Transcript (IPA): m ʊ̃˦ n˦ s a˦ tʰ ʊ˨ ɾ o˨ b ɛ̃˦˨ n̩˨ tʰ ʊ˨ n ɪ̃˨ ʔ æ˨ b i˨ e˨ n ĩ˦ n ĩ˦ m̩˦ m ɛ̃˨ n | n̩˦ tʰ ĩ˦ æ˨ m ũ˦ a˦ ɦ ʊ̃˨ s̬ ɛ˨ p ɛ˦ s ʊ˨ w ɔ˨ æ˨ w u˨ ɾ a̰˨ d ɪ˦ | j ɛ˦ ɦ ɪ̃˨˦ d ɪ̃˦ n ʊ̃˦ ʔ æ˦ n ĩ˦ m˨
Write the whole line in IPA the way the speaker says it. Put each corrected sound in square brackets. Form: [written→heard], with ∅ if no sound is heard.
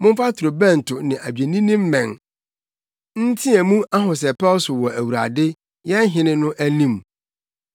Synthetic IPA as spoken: m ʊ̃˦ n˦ [s→f] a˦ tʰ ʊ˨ ɾ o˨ b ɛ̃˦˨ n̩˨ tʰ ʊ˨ n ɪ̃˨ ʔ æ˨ b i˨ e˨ n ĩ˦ n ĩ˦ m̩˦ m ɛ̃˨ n | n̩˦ tʰ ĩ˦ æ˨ m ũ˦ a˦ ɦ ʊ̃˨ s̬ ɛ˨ p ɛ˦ s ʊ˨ w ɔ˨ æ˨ w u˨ ɾ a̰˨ d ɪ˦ | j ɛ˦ ɦ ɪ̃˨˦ [d→n] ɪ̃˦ n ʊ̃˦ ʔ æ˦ n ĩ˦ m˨

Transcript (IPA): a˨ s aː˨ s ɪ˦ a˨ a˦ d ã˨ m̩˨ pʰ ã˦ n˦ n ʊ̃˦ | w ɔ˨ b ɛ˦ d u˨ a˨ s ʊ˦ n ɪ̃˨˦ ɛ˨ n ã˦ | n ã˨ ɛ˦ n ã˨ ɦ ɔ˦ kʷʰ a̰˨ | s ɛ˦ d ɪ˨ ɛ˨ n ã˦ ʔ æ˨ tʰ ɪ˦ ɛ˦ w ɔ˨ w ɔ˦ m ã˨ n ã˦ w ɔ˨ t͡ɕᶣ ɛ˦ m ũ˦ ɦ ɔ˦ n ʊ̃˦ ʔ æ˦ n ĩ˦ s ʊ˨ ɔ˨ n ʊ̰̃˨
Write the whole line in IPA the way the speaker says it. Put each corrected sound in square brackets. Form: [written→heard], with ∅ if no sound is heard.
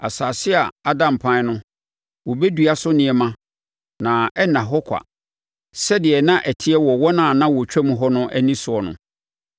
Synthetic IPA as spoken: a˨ s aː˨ s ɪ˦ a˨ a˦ d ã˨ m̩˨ pʰ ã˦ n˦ n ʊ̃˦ | w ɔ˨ b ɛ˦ d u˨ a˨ s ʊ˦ n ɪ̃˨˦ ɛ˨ [n→m] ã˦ | n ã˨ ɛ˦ n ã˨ ɦ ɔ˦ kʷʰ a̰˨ | s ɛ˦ d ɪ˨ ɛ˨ n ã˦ ʔ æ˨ tʰ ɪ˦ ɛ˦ w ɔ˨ w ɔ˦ [m→n] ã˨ n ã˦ w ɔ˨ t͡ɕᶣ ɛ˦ m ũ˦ ɦ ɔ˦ n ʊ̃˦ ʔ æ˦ n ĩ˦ s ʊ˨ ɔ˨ n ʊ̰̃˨

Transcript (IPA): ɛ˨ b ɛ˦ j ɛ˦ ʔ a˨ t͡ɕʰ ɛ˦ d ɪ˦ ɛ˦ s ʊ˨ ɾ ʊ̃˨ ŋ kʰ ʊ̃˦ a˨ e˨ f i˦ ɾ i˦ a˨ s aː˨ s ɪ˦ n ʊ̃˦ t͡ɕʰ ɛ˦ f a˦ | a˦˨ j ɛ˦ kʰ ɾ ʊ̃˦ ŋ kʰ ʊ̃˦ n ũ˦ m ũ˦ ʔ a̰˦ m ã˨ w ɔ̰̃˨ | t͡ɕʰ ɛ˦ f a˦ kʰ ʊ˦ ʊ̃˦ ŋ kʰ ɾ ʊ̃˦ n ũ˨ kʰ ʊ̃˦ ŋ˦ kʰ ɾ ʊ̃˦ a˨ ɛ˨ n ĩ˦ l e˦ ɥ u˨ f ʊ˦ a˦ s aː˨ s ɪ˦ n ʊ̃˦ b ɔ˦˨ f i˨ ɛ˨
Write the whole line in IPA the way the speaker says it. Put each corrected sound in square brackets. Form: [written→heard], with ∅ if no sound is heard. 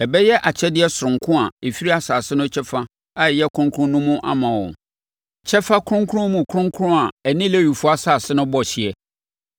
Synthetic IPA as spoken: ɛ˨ b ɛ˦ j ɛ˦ ʔ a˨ t͡ɕʰ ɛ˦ d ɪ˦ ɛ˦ s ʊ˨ ɾ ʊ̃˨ ŋ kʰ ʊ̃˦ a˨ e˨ f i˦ ɾ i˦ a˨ s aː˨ s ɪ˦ n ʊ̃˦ t͡ɕʰ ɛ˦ f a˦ | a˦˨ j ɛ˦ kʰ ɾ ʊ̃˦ ŋ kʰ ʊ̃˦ n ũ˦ m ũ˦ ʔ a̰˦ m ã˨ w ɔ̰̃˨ | t͡ɕʰ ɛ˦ f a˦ kʰ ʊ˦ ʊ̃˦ ŋ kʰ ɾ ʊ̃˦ [n→m] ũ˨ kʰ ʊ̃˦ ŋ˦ kʰ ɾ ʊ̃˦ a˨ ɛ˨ n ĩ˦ l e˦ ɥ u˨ f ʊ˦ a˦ s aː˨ s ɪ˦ n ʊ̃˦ b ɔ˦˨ [f→ɕ] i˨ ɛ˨

